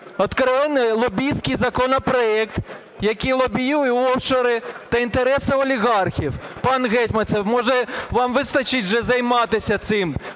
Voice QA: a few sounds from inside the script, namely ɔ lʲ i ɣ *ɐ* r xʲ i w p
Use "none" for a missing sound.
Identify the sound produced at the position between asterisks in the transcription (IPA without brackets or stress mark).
ɑ